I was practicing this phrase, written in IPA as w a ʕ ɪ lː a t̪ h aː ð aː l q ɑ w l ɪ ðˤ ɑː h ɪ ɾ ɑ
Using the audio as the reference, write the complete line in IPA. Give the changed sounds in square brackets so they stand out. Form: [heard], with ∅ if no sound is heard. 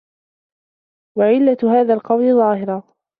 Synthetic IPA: w a ʕ ɪ lː a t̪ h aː ð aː l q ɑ w l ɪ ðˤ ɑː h ɪ ɾ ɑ